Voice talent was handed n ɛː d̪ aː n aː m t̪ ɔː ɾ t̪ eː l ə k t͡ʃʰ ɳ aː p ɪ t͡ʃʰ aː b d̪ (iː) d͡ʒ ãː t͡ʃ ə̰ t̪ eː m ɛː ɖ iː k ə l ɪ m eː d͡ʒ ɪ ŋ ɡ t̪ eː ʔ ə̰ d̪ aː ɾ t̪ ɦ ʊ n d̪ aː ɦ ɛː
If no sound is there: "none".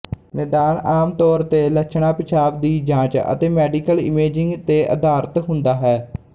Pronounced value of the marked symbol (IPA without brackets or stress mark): iː